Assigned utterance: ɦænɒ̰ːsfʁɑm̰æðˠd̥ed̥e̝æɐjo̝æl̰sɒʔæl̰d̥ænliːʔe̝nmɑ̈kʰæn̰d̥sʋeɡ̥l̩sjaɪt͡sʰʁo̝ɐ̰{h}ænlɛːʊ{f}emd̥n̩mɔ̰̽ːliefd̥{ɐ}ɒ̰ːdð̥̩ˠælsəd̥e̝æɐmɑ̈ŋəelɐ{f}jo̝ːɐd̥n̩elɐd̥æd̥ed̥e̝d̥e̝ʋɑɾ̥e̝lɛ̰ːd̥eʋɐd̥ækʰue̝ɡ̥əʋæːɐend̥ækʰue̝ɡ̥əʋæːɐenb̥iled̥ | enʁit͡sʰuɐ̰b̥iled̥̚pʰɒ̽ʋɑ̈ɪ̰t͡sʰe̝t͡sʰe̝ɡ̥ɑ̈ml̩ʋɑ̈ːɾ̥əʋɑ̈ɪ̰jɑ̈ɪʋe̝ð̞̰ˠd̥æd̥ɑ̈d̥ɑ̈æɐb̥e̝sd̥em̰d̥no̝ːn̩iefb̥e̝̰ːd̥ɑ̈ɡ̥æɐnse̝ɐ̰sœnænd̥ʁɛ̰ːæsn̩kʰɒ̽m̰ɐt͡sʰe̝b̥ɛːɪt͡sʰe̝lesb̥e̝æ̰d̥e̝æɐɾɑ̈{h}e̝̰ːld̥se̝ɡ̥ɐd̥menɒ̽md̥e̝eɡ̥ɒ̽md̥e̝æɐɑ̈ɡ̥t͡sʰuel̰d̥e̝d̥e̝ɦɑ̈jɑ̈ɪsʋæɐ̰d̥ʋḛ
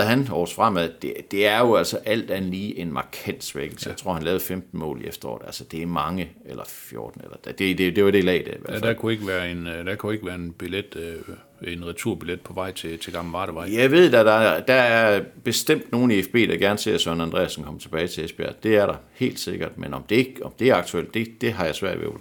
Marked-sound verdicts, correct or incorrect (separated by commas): correct, correct, correct, correct, correct